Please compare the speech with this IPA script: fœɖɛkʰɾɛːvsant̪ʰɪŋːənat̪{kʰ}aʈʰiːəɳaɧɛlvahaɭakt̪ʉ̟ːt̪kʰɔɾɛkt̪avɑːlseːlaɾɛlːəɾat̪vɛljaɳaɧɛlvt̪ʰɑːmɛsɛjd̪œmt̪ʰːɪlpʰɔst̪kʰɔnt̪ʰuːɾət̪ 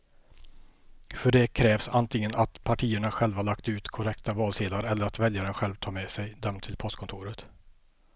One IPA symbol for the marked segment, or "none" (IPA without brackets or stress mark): pʰ